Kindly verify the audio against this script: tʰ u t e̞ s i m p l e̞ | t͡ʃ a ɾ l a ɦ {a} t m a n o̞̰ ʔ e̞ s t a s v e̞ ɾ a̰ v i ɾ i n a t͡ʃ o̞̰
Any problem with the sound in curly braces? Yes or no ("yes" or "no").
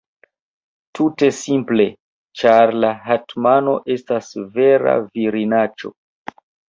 no